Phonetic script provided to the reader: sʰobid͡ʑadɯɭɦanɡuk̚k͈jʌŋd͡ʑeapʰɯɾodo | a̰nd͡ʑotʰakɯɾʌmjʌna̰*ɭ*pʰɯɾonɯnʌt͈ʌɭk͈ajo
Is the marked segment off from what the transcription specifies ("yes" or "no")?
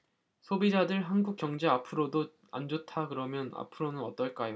yes